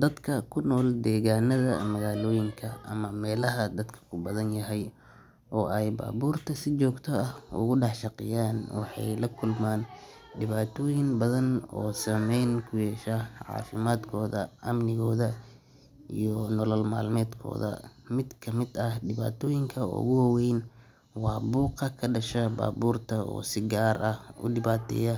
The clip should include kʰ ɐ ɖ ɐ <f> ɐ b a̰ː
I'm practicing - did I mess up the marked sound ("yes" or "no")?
yes